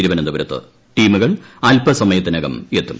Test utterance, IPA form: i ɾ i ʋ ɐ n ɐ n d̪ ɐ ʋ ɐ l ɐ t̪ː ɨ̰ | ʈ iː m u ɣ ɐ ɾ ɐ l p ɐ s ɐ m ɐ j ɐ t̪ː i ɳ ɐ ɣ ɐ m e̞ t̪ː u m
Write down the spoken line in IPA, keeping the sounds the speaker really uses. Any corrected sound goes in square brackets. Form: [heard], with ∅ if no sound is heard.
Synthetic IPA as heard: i ɾ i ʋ ɐ n ɐ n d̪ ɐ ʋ ɐ [ɾ] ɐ t̪ː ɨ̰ | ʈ iː m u ɣ ɐ [ɭ] ɐ l p ɐ s ɐ m ɐ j ɐ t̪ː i [n] ɐ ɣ ɐ m e̞ t̪ː u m